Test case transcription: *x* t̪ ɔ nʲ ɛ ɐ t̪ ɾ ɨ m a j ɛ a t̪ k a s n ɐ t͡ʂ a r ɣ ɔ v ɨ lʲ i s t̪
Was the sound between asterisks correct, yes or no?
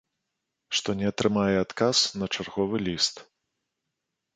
no